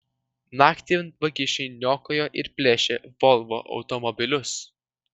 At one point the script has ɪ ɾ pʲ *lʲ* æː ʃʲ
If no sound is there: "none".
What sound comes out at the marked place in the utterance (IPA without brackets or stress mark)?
lʲ